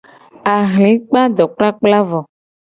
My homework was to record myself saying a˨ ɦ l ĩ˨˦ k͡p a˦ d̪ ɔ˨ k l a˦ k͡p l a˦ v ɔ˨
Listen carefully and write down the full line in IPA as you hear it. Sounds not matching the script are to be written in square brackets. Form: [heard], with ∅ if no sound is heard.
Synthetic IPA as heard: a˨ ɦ l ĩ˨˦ k͡p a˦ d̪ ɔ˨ [k͡p] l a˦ k͡p l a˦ v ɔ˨